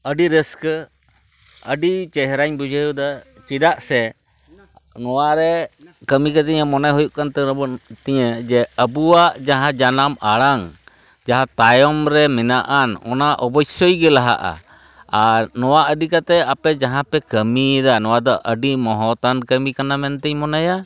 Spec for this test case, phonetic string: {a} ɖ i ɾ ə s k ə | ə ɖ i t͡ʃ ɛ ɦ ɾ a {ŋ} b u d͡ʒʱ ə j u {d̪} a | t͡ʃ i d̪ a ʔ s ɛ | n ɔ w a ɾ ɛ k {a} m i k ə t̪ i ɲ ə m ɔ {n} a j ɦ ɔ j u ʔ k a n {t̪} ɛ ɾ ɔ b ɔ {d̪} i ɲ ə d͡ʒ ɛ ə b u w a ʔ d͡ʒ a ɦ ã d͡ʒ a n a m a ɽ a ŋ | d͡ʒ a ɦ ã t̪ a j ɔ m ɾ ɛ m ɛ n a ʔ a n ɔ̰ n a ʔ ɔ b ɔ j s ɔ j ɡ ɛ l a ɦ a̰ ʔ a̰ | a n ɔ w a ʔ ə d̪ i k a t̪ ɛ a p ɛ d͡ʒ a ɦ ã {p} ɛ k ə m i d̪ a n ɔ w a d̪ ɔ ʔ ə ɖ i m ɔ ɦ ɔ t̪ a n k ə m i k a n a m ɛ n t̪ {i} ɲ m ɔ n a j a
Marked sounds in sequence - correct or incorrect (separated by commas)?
incorrect, incorrect, correct, incorrect, correct, correct, incorrect, correct, incorrect